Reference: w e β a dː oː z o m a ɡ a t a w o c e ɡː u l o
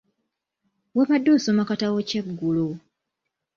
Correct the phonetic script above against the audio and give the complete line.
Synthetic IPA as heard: w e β a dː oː s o m a k a t a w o c e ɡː u l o

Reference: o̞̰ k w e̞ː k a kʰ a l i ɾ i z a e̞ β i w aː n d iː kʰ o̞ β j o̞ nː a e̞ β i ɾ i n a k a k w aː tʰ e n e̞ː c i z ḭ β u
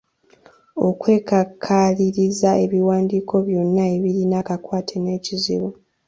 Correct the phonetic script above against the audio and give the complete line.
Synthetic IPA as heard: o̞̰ k w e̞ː k a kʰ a l i ɾ i z a e̞ β i w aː n d iː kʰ o̞ β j o̞ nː a e̞ β i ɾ i n a k a k w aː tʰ e n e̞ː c i z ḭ β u

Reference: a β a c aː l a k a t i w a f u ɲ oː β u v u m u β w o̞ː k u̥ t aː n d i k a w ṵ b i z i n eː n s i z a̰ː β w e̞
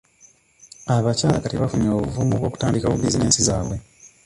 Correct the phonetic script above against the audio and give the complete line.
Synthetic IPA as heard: a β a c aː l a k a t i β a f u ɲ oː β u v u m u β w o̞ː k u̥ t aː n d i k a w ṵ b i z i n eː n s i z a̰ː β w e̞

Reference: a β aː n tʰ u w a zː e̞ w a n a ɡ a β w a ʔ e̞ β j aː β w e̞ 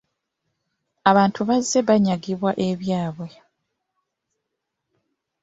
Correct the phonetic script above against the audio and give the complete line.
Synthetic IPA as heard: a β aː n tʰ u β a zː e̞ β a ɲ a ɡ i β w a ʔ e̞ β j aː β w e̞

